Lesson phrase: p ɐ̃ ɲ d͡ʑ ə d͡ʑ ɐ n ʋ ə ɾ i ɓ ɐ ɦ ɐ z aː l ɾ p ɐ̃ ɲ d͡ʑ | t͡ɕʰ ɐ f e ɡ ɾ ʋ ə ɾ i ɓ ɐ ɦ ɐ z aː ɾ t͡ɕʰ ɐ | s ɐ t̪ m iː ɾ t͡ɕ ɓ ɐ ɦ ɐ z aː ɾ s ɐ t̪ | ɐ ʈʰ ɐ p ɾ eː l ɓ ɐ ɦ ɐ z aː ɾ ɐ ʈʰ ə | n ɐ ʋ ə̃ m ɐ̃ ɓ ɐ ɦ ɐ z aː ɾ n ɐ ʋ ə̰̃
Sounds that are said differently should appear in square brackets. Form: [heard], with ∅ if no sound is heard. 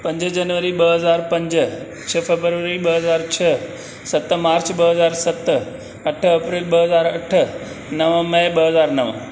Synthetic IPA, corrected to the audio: p ɐ̃ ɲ d͡ʑ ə d͡ʑ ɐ n ʋ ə ɾ i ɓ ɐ ɦ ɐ z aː [∅] ɾ p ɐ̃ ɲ d͡ʑ | t͡ɕʰ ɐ f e [b] ɾ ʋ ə ɾ i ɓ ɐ ɦ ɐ z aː ɾ t͡ɕʰ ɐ | s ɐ t̪ m [aː] ɾ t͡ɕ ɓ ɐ ɦ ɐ z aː ɾ s ɐ t̪ | ɐ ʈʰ ɐ p ɾ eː l ɓ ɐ ɦ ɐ z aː ɾ ɐ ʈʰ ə | n ɐ ʋ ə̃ m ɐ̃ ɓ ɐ ɦ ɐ z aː ɾ n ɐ ʋ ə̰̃